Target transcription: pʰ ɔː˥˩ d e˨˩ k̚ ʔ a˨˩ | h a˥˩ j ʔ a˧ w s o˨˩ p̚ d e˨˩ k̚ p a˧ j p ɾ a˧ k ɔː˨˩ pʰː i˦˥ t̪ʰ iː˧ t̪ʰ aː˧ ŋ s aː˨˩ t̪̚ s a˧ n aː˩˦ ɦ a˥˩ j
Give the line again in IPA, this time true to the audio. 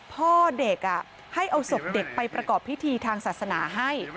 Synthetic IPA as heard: pʰ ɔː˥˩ d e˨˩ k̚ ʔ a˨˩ | h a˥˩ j ʔ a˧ w s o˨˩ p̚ d e˨˩ k̚ p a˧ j p ɾ a˧ k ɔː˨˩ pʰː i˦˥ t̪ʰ iː˧ t̪ʰ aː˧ ŋ s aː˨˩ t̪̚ s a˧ n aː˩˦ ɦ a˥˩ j